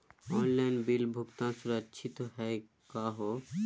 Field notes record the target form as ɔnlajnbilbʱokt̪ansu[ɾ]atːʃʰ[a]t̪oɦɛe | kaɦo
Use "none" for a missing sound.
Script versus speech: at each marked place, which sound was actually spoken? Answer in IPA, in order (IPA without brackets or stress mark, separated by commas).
ɾ, i